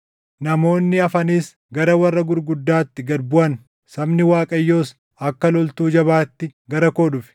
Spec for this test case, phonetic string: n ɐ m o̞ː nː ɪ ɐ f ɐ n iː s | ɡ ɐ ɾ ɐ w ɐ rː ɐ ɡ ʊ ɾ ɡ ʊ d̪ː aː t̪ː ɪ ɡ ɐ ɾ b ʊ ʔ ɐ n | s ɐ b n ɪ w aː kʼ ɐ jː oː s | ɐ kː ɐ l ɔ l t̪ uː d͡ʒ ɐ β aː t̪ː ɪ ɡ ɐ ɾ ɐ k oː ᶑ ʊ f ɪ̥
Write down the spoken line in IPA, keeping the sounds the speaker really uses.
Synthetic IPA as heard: n ɐ m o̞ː nː ɪ ɐ f ɐ n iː s | ɡ ɐ ɾ ɐ w ɐ rː ɐ ɡ ʊ ɾ ɡ ʊ d̪ː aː t̪ː ɪ ɡ ɐ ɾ b ʊ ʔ ɐ n | s ɐ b n ɪ w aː kʼ ɐ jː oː s | ɐ kː ɐ l ɔ l t̪ uː d͡ʒ ɐ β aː t̪ː ɪ ɡ ɐ ɾ ɐ k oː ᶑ ʊ f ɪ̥